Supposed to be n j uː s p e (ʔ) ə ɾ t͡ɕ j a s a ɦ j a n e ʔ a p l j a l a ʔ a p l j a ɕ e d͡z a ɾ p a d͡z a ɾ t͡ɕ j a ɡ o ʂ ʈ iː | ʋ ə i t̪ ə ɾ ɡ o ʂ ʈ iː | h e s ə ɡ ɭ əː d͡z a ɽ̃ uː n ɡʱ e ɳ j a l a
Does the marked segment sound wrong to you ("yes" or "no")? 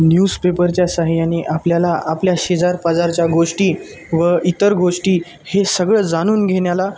yes